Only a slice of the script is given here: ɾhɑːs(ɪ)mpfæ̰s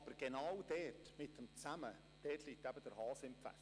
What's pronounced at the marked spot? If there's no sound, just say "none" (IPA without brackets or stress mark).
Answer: ɪ